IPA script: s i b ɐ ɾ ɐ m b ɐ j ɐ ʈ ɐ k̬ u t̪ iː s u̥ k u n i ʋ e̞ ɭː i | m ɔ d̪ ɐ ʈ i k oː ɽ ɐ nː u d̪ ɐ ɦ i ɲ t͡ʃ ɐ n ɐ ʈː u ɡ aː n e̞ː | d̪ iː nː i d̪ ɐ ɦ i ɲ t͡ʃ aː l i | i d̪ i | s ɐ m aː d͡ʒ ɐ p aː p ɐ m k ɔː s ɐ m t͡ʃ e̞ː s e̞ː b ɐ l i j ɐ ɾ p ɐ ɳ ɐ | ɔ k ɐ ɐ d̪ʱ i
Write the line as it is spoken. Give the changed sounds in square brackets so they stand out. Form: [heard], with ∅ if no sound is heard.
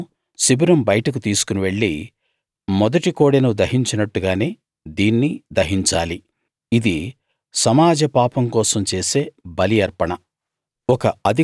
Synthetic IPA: s i b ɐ ɾ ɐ m b ɐ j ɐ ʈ ɐ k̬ u t̪ iː s u̥ k u n i ʋ e̞ ɭː i | m ɔ d̪ ɐ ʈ i k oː ɽ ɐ [n] u d̪ ɐ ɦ i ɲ t͡ʃ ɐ n ɐ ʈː u ɡ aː n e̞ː | d̪ iː nː i d̪ ɐ ɦ i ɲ t͡ʃ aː l i | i d̪ i | s ɐ m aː d͡ʒ ɐ p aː p ɐ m k ɔː s ɐ m t͡ʃ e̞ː s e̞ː b ɐ l i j ɐ ɾ p ɐ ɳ ɐ | ɔ k ɐ ɐ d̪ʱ i